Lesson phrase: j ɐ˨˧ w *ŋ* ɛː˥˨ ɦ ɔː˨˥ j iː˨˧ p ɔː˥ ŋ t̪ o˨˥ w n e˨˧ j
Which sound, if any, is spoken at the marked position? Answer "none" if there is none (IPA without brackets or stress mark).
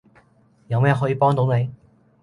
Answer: m